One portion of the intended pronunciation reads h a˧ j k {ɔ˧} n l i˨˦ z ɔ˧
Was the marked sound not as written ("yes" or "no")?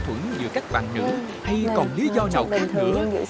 yes